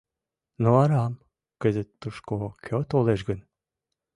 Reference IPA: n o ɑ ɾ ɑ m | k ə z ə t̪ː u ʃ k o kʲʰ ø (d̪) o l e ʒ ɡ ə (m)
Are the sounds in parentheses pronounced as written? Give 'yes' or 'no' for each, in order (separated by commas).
no, no